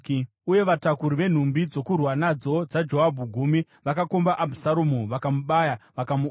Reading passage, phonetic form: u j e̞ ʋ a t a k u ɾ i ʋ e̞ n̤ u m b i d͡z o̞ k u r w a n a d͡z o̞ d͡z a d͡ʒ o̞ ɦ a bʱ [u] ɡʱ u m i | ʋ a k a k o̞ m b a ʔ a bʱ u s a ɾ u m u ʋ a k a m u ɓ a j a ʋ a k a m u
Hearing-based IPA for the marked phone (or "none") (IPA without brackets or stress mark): u